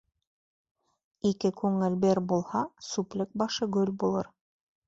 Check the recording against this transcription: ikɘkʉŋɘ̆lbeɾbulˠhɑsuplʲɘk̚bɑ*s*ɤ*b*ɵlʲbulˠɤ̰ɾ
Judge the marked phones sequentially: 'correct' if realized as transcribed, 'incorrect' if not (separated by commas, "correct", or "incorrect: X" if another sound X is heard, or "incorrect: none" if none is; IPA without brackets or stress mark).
incorrect: ʃ, incorrect: ɡ